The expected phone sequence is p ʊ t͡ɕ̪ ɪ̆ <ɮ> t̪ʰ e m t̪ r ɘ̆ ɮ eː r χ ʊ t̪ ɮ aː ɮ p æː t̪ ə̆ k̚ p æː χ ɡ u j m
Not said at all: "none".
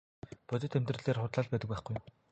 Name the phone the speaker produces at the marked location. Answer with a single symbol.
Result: none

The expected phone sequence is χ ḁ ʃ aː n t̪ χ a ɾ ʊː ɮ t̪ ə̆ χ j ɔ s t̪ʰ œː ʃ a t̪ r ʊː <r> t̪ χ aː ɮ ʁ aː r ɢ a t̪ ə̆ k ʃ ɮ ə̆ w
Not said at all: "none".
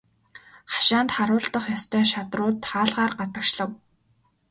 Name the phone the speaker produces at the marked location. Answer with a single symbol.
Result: none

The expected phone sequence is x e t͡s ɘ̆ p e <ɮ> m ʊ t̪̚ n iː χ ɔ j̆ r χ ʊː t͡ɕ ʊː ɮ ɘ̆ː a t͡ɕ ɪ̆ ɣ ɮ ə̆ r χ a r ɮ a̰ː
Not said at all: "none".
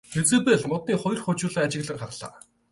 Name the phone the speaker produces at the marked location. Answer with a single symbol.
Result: ɮ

